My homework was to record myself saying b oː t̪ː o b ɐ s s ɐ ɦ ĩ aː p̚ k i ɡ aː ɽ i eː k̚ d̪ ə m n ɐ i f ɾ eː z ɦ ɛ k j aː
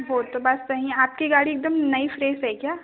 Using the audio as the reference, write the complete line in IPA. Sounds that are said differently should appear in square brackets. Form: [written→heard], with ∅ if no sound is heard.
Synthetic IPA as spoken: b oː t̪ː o b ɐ s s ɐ ɦ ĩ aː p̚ k i ɡ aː ɽ i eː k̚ d̪ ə m n ɐ i f ɾ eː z ɦ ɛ k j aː